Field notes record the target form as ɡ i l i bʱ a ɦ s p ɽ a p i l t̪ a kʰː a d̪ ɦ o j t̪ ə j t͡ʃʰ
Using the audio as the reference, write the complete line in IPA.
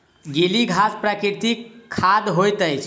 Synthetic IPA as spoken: ɡ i l i ɡʱ a s p ɾ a k i ɾ t̪ i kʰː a d̪ ɦ o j t̪ ə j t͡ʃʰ